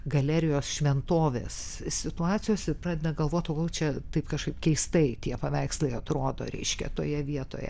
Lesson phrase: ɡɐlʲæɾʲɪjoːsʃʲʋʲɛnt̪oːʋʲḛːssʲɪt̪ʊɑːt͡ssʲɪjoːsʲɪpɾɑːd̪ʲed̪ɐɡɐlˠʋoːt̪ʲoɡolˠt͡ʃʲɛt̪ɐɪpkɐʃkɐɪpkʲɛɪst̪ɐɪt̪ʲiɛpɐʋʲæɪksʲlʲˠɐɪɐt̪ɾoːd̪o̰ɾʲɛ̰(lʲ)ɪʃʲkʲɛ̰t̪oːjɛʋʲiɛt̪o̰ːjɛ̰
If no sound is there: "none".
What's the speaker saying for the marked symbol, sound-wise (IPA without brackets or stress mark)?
none